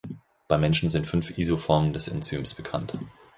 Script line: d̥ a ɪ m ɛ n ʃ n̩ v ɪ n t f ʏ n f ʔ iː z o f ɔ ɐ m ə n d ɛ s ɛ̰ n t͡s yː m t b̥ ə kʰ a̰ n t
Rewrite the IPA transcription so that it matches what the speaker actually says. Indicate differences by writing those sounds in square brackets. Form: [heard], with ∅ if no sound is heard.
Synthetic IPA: [b̥] a ɪ m ɛ n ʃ n̩ [z] ɪ n t f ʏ n f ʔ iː z o f ɔ ɐ m ə n d ɛ s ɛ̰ n t͡s yː m [s] b̥ ə kʰ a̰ n t